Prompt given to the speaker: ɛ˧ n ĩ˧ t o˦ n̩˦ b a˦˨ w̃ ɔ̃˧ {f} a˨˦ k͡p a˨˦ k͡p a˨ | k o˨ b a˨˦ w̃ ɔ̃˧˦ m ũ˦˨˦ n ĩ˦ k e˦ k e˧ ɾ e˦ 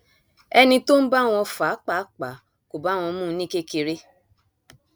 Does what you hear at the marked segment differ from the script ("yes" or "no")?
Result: no